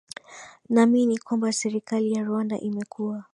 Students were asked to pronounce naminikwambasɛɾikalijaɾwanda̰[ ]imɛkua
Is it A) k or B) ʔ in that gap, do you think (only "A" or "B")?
B